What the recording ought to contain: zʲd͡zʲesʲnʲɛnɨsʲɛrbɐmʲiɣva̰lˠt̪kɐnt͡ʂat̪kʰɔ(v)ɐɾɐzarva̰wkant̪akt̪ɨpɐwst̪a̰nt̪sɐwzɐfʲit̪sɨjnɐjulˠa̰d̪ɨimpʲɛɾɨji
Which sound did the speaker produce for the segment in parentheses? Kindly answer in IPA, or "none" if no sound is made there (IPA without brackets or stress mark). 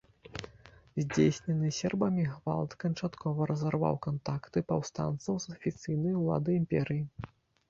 v